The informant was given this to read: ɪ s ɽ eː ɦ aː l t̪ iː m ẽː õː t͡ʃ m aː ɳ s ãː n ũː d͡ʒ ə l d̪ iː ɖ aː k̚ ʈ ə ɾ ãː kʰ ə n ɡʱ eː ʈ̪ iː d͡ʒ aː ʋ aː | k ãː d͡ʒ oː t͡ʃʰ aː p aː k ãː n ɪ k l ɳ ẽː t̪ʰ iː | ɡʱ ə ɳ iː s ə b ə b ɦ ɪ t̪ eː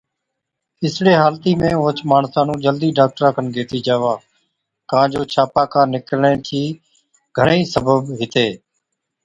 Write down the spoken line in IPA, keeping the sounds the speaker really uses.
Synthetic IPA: ɪ s ɽ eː ɦ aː l t̪ iː m ẽː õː t͡ʃ m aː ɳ s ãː n ũː d͡ʒ ə l d̪ iː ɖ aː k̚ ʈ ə ɾ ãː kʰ ə n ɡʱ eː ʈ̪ iː d͡ʒ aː ʋ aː | k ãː d͡ʒ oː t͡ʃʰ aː p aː k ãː n ɪ k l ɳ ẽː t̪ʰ iː | ɡʱ ə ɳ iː s ə b ə b ɦ ɪ t̪ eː